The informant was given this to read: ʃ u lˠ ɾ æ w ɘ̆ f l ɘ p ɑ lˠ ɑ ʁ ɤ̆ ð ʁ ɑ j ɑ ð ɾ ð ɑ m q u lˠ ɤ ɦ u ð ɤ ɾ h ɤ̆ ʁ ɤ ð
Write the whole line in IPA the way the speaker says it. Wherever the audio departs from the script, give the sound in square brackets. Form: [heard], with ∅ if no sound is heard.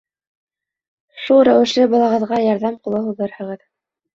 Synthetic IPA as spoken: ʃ u lˠ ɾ æ w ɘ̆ [ʃ] l ɘ [b] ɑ lˠ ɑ ʁ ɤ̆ ð ʁ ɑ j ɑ [∅] ɾ ð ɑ m q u lˠ ɤ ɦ u ð ɤ ɾ h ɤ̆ ʁ ɤ ð